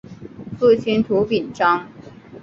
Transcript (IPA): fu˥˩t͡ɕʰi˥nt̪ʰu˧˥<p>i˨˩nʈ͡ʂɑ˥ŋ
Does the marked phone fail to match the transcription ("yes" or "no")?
no